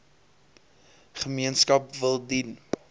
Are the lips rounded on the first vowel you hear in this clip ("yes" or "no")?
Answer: no